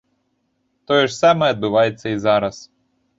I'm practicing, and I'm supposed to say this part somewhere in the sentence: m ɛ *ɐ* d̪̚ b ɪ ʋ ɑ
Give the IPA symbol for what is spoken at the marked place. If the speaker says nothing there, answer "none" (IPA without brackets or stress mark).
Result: ɐ